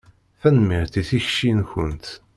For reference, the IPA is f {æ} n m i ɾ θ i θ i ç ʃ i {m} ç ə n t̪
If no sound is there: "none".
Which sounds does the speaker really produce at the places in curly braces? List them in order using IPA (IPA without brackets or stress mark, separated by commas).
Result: æ, n